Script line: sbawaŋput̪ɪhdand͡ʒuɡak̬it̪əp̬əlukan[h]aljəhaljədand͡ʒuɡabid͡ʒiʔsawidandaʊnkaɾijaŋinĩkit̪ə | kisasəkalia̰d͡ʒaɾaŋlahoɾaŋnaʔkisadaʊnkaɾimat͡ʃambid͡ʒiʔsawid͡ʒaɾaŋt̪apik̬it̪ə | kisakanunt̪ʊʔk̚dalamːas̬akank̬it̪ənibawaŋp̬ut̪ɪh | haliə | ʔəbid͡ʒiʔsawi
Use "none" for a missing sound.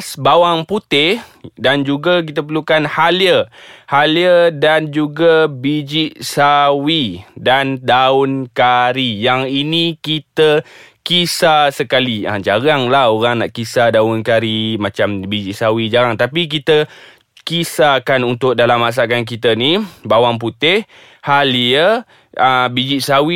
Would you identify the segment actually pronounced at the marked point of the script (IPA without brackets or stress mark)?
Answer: h